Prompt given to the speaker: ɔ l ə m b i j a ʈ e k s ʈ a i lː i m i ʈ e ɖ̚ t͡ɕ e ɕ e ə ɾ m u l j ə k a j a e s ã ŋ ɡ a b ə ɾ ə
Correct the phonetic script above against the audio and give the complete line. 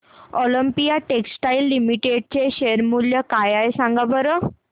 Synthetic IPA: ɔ l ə m p i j a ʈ e k s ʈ a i lː i m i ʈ e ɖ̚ t͡ɕ e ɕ e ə ɾ m u l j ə k a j a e s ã ŋ ɡ a b ə ɾ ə